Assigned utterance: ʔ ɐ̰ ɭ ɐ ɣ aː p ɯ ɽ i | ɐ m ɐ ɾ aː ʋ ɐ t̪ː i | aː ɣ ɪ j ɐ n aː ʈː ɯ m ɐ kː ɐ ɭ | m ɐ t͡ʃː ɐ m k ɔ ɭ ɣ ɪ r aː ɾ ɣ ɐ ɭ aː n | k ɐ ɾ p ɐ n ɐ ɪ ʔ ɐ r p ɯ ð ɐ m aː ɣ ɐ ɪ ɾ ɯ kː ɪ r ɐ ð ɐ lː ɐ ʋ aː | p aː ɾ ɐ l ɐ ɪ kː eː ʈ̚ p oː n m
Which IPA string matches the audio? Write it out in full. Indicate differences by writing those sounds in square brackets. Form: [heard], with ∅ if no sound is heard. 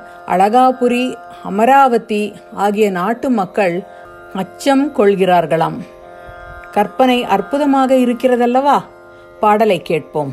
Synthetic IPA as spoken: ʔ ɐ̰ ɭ ɐ ɣ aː p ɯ [ɾ] i | ɐ m ɐ ɾ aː ʋ ɐ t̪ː i | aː ɣ ɪ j ɐ n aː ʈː ɯ m ɐ kː ɐ ɭ | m ɐ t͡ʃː ɐ m k ɔ ɭ ɣ ɪ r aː ɾ ɣ ɐ ɭ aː [m] | k ɐ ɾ p ɐ n ɐ ɪ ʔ ɐ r p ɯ ð ɐ m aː ɣ ɐ ɪ ɾ ɯ kː ɪ r ɐ ð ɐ lː ɐ ʋ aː | p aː [ɽ] ɐ l ɐ ɪ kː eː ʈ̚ p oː [∅] m